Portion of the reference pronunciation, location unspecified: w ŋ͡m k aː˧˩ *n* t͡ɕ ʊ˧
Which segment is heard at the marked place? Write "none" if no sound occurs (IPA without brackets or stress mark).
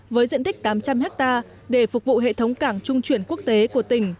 ŋ